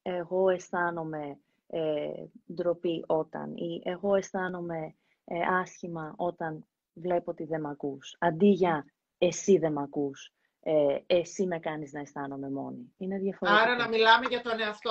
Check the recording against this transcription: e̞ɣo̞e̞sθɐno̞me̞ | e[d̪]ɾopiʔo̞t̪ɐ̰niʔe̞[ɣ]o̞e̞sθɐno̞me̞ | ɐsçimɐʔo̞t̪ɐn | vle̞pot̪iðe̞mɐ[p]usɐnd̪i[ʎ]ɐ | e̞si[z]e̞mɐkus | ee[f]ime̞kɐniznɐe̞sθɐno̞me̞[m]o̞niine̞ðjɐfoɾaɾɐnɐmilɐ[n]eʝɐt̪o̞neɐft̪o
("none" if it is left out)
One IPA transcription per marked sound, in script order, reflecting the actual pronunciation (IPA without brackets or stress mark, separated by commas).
d̪, ɣ, k, ʝ, ð, s, m, m